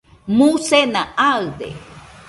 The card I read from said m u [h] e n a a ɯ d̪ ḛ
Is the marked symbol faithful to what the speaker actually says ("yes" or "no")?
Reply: no